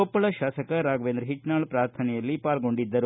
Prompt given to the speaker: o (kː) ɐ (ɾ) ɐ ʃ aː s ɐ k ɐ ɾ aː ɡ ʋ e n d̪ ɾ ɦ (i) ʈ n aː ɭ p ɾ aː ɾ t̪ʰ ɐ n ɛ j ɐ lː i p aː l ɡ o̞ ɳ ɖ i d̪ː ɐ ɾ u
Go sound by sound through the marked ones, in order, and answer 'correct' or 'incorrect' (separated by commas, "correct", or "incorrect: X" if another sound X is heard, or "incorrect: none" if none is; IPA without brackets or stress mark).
incorrect: pː, incorrect: ɭ, correct